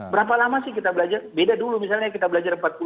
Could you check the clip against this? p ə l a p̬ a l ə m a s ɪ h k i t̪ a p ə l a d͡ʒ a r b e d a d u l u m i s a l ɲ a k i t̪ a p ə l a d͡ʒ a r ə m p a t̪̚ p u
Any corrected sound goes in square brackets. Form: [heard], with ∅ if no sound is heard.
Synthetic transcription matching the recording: [b] ə [ɾ] a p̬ a l [a] m a s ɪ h k i t̪ a [b] ə l a d͡ʒ a r b e d a d u l u m i s a l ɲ a k i t̪ a [b] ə l a d͡ʒ a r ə m p a t̪̚ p u